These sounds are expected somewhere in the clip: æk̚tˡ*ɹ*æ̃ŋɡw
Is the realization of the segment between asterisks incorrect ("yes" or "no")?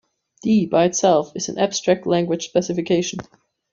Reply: yes